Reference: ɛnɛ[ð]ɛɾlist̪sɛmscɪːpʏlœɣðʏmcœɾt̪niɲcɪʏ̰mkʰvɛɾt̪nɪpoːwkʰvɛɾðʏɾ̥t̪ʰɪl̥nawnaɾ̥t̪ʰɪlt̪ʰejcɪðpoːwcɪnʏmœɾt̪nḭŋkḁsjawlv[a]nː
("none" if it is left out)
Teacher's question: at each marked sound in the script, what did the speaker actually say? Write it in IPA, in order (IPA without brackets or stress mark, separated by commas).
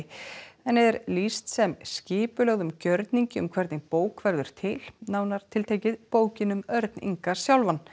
ð, a